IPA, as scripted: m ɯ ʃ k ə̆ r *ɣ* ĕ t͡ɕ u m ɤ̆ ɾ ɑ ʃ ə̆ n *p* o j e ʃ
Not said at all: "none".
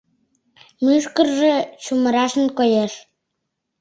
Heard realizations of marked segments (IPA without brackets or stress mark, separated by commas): ʒ, k